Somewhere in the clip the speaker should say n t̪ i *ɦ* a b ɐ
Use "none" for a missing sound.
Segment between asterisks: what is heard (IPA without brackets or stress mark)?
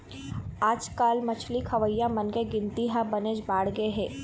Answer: ɦ